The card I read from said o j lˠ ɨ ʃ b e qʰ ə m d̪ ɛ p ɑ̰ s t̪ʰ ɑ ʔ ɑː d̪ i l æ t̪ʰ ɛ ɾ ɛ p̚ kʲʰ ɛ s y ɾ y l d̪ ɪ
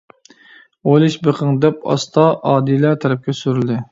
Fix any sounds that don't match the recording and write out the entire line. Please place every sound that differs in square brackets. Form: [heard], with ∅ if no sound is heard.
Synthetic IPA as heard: o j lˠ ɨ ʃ b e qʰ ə [ŋ] d̪ ɛ p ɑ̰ s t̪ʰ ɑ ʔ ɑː d̪ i l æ t̪ʰ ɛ ɾ ɛ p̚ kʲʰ ɛ s y ɾ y l d̪ ɪ